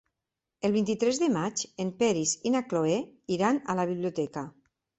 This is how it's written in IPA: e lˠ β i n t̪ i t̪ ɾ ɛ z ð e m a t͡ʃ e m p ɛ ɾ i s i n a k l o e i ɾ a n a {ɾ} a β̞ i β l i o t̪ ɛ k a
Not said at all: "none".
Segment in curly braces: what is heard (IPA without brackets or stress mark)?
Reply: l